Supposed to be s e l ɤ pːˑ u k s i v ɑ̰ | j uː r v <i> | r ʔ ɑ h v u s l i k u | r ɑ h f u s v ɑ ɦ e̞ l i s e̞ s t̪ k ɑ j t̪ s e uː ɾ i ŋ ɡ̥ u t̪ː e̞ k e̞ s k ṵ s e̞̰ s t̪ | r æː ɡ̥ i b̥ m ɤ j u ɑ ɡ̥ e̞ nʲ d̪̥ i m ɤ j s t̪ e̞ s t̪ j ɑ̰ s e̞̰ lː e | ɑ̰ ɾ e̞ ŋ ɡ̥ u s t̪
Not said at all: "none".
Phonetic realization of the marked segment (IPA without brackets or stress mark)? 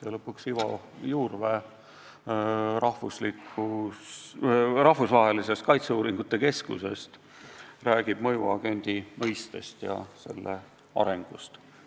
e